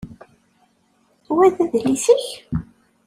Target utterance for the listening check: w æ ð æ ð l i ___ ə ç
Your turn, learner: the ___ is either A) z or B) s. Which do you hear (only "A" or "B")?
B